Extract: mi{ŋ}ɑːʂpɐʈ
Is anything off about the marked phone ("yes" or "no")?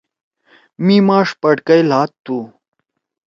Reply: yes